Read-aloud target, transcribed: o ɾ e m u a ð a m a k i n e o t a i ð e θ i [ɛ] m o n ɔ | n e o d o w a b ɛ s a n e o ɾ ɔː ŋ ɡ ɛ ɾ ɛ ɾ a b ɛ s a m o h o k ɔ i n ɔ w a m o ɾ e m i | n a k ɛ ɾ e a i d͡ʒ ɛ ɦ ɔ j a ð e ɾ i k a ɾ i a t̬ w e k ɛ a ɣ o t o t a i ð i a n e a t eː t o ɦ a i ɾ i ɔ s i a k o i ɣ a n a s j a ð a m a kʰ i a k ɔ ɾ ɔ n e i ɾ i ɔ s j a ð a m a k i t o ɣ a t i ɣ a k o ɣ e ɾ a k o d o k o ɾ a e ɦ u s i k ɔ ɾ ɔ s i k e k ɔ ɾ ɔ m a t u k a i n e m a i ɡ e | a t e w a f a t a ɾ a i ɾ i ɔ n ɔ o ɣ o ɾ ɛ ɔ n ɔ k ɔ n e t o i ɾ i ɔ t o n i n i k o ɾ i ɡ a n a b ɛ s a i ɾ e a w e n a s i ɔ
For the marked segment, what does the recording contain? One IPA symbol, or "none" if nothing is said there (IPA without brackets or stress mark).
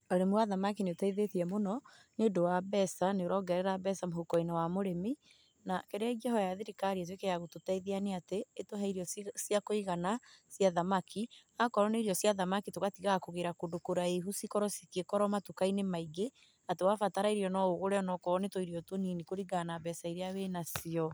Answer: ɛ